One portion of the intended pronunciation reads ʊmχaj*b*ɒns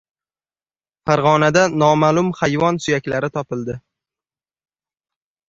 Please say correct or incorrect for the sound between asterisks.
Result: incorrect